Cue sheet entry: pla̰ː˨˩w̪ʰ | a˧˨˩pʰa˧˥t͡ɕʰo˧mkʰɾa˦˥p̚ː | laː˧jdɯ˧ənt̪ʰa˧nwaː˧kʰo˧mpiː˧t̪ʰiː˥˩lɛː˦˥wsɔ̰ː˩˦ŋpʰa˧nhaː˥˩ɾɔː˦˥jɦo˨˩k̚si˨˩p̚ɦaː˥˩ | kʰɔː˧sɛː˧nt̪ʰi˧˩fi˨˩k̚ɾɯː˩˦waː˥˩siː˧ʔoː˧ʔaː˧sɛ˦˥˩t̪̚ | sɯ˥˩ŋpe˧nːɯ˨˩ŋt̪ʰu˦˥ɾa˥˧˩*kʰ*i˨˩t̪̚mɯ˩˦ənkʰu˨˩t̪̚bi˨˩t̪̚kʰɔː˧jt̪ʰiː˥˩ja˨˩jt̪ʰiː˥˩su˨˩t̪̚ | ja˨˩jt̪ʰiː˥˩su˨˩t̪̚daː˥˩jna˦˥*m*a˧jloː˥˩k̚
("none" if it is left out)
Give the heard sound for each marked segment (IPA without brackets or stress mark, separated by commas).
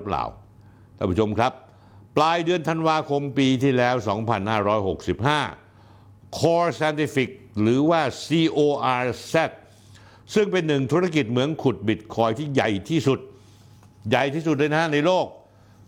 k, n